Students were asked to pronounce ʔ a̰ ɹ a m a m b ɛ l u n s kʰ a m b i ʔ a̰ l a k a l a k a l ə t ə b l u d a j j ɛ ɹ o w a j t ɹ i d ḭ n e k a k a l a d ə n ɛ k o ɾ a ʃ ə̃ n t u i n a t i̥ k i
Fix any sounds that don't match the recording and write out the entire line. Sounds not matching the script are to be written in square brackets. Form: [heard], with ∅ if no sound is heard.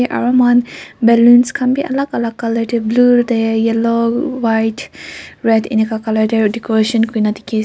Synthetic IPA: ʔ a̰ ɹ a m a [n] b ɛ l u n s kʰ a m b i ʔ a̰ l a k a l a k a l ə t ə b l u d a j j ɛ [l] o w a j t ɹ [ɛ] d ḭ n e k a k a l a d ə [d] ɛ k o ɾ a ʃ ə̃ n [k] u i n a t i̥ k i